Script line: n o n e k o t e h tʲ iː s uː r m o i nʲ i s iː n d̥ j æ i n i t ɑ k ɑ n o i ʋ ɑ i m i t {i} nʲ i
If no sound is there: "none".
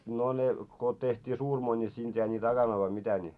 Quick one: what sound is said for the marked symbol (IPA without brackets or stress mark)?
æ